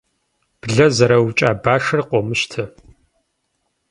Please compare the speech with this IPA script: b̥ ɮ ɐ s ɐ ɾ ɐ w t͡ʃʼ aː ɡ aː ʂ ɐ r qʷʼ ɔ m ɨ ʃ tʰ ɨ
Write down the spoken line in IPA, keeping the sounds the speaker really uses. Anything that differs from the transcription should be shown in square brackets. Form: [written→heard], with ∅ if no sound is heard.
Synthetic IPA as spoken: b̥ ɮ ɐ [s→z] ɐ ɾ ɐ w t͡ʃʼ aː [ɡ→b] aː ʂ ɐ r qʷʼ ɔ m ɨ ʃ tʰ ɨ